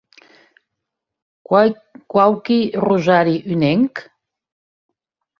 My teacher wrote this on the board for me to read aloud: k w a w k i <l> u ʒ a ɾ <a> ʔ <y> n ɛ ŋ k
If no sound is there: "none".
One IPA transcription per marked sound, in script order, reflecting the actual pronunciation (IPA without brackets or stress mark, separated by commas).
r, i, y